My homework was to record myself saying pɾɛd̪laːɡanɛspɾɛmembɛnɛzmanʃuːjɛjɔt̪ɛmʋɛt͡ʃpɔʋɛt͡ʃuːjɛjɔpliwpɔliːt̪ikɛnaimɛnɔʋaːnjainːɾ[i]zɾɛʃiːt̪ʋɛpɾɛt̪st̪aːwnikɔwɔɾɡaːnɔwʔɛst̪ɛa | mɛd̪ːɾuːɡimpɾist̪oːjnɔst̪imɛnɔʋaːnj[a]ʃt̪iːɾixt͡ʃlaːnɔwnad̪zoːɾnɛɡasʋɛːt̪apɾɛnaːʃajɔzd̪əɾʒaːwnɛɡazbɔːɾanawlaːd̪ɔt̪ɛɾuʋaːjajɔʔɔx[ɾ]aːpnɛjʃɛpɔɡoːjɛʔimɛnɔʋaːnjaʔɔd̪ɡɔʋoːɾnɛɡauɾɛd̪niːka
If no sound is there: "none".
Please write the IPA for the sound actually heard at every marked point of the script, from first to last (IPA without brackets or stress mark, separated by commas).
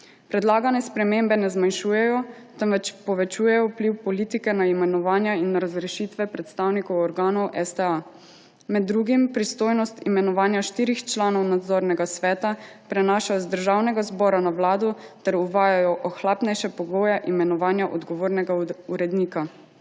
a, a, l